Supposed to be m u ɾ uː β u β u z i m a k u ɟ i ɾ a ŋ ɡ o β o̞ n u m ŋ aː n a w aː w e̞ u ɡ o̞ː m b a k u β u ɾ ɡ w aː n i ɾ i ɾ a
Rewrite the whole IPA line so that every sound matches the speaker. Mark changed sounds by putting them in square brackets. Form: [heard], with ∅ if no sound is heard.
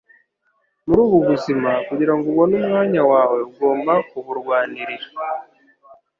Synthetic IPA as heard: m u ɾ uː β u β u z i m a k u ɟ i ɾ a ŋ ɡ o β o̞ n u m ŋ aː [ɲ] a w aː w e̞ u ɡ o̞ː m b a k u β u ɾ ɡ w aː n i ɾ i ɾ a